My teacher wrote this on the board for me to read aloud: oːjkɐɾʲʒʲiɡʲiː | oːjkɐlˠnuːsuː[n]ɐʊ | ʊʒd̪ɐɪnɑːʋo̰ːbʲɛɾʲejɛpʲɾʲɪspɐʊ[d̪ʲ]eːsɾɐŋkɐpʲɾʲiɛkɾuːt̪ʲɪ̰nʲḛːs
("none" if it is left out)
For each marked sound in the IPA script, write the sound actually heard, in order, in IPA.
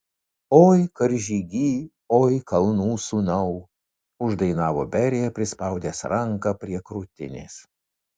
n, d̪ʲ

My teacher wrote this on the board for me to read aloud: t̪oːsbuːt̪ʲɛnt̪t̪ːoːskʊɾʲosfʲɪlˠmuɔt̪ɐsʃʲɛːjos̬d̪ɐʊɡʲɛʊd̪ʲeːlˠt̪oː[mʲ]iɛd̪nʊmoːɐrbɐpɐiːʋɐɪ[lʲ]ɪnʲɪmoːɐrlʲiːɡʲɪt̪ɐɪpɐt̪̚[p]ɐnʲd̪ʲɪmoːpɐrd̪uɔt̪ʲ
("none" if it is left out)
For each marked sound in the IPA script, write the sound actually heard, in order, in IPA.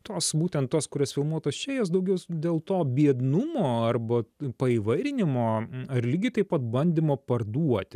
bʲ, ɾʲ, b

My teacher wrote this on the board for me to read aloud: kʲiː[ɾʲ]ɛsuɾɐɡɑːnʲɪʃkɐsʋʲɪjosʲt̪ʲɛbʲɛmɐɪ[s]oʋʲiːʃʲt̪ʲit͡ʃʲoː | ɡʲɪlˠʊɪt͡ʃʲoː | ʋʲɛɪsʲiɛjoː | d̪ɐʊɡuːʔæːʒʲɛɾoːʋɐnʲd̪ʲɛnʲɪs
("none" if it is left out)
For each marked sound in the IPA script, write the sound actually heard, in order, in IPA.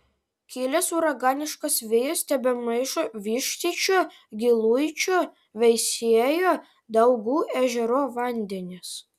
lʲ, ʃ

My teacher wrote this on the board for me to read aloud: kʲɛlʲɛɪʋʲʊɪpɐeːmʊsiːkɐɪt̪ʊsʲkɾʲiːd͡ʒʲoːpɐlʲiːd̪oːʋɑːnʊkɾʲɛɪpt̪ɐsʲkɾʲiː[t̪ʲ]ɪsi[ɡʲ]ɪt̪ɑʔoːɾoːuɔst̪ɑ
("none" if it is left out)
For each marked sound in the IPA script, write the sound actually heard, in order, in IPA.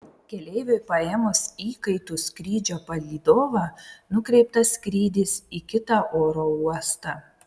d̪ʲ, kʲ

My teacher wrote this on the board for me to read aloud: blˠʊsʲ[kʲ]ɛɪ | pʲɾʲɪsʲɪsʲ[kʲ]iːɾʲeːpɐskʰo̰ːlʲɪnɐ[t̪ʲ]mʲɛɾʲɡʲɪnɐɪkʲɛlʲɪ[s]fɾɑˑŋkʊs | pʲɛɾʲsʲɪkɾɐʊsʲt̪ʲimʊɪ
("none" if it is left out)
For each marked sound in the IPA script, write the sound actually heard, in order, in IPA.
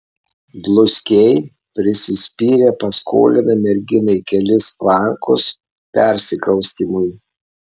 kʲ, pʲ, none, s

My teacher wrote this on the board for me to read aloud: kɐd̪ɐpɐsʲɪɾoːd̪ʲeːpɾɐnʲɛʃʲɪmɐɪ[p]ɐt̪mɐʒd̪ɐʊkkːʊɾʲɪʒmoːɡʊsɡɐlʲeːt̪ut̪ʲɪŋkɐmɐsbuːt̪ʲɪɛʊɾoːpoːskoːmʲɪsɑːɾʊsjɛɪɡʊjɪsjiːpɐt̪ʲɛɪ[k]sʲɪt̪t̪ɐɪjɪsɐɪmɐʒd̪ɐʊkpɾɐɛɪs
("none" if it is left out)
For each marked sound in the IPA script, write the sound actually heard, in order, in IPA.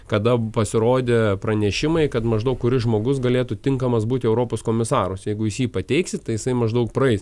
k, k

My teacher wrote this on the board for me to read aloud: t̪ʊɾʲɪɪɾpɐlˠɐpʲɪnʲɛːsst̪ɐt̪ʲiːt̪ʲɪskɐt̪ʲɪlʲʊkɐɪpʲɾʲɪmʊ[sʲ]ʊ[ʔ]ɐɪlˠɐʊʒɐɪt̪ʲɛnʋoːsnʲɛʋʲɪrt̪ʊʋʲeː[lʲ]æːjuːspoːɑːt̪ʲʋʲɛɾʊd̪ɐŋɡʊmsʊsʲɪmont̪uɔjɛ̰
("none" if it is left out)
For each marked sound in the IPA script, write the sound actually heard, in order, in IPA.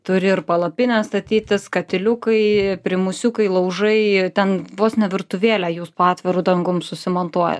sʲ, k, lʲ

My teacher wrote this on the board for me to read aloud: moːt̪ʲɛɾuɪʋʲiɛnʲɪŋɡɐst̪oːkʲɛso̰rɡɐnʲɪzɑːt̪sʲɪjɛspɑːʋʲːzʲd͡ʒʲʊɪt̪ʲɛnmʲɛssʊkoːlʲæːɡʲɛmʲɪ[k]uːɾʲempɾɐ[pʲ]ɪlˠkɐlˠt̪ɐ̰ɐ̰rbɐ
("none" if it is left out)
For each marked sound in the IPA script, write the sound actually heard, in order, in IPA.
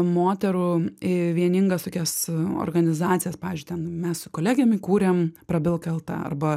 k, bʲ

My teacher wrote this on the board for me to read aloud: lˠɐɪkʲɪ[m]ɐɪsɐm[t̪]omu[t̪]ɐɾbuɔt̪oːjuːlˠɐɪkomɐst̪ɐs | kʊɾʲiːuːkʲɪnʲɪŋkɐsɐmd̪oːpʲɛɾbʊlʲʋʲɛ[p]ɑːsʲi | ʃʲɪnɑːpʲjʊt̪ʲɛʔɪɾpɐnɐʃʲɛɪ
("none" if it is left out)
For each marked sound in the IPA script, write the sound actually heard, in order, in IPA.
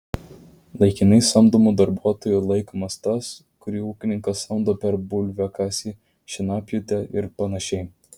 n, d̪, d̪, k

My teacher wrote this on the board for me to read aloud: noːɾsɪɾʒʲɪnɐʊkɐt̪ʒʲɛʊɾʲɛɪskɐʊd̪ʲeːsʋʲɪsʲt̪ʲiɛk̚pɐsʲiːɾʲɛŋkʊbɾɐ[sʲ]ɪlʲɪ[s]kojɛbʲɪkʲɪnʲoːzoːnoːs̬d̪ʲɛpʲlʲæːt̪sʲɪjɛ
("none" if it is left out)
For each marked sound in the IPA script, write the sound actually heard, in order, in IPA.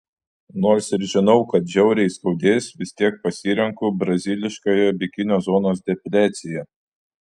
zʲ, ʃ

